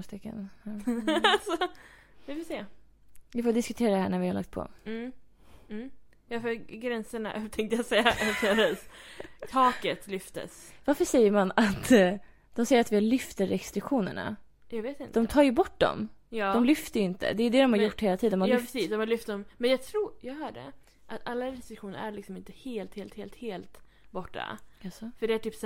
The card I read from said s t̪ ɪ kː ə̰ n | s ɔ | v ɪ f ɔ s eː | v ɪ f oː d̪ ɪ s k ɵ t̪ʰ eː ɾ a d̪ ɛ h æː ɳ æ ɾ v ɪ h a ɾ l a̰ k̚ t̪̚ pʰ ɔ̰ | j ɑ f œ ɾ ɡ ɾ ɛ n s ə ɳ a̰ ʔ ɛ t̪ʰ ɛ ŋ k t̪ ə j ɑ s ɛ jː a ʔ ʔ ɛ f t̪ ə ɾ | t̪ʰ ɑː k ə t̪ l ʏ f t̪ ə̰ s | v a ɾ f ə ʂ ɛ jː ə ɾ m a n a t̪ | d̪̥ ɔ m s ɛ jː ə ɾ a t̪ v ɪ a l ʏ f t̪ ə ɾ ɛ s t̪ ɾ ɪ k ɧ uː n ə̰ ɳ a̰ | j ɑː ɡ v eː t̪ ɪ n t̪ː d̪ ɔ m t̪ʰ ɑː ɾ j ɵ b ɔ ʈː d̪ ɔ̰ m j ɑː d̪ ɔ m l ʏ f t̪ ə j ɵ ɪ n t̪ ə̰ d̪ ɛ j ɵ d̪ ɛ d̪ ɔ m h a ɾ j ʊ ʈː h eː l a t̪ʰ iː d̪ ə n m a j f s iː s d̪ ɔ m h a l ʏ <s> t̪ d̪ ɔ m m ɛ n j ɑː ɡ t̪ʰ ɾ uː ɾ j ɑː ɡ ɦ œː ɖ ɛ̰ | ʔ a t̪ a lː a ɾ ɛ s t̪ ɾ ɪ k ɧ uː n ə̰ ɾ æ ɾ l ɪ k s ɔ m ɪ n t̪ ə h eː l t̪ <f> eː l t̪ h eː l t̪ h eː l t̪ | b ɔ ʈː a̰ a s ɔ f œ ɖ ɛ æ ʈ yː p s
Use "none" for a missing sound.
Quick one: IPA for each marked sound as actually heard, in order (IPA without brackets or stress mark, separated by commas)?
f, h